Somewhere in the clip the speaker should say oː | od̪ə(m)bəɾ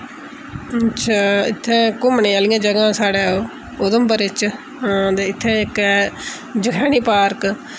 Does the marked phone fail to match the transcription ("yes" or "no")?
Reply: no